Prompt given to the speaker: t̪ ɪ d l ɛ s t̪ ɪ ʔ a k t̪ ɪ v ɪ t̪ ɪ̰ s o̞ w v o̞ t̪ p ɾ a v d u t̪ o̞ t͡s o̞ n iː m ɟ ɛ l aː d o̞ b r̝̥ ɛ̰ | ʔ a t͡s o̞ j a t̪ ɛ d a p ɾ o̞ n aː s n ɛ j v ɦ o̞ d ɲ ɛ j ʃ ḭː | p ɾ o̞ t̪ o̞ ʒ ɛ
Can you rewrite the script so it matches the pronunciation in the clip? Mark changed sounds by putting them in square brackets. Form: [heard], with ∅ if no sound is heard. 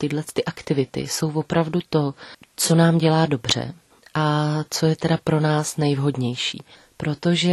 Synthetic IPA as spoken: t̪ ɪ d l ɛ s t̪ ɪ ʔ a k t̪ ɪ v ɪ t̪ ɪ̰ s o̞ w v o̞ [∅] p ɾ a v d u t̪ o̞ t͡s o̞ n [aː] m ɟ ɛ l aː d o̞ b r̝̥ ɛ̰ | ʔ a t͡s o̞ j [ɛ] t̪ ɛ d a p ɾ o̞ n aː s n ɛ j v ɦ o̞ d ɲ ɛ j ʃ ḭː | p ɾ o̞ t̪ o̞ ʒ ɛ